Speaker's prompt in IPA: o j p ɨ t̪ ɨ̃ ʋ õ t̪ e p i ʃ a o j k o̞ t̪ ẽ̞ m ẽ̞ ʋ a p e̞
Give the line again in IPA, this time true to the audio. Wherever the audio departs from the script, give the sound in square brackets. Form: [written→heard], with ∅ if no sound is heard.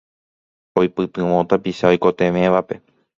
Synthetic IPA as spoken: o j p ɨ t̪ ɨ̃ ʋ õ t̪ [e→a] p i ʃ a o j k o̞ t̪ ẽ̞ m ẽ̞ ʋ a p e̞